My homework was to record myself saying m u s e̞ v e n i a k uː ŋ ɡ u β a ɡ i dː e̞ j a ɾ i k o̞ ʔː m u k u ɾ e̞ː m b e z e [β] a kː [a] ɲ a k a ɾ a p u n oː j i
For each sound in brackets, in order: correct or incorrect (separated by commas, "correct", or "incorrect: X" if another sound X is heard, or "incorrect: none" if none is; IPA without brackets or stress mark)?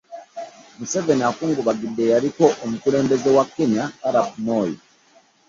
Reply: incorrect: w, incorrect: e